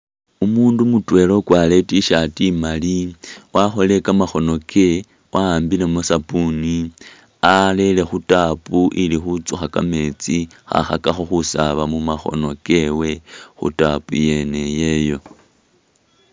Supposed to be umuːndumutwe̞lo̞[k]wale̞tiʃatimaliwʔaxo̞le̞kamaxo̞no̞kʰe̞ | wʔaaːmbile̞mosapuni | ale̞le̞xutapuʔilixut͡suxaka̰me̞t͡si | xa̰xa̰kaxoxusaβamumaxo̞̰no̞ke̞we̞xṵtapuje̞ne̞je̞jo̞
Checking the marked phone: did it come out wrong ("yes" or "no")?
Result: no